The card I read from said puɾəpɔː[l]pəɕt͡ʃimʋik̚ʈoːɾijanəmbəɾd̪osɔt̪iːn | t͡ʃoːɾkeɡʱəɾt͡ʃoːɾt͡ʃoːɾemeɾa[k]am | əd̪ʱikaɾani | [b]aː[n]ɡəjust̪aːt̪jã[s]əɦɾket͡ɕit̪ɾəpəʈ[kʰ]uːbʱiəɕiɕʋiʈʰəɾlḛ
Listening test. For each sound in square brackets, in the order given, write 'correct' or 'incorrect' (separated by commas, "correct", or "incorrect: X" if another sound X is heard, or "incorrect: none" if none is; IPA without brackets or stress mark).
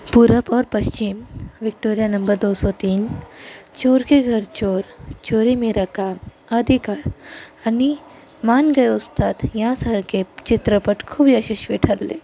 incorrect: ɾ, correct, incorrect: m, correct, correct, correct